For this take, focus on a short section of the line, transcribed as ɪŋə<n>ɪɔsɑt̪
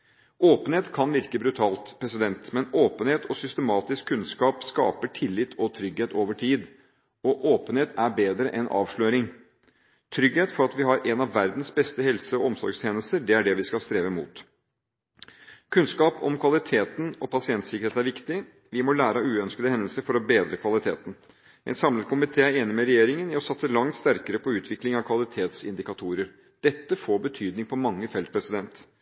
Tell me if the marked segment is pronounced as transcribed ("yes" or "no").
yes